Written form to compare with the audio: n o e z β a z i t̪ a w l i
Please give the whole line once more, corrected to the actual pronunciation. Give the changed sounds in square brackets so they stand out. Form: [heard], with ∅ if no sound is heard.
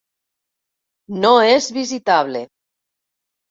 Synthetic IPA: n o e z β [i] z i t̪ a [β] l [e]